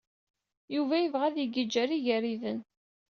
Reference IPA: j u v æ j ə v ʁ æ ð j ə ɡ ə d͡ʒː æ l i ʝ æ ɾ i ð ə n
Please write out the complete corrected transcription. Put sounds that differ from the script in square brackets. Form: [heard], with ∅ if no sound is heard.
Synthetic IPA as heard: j u v æ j ə v ʁ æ ð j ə ɡ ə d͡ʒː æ [ɾ] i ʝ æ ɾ i ð ə n